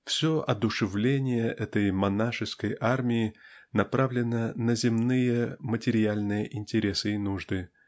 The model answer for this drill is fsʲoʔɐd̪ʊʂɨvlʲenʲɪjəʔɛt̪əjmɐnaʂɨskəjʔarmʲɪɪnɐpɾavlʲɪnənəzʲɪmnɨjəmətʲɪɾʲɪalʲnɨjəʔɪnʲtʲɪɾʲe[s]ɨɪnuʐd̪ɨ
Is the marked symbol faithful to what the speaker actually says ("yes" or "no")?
yes